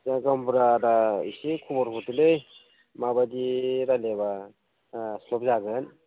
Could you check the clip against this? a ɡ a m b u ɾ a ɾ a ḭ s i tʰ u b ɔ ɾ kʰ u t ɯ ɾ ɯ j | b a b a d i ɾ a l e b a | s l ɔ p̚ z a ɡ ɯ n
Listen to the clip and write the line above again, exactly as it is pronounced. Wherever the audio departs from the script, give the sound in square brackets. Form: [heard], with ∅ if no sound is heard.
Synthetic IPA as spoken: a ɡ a m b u ɾ a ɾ a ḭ s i [kʰ] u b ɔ ɾ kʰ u t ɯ [l] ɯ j | [m] a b a d i ɾ a l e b a | s l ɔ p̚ z a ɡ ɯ n